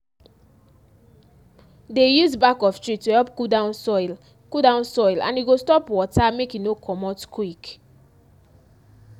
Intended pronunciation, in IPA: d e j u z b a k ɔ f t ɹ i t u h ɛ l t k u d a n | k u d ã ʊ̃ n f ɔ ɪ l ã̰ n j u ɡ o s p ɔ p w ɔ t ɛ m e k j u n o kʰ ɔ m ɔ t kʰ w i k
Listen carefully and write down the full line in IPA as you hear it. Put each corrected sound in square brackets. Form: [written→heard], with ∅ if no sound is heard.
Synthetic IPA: d e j u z b a k ɔ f t ɹ i t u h ɛ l [t→p] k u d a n | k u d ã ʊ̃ n [f→s] ɔ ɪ l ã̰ n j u ɡ o s [p→t] ɔ p w ɔ t [ɛ→a] m e k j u n o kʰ ɔ m ɔ t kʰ w i k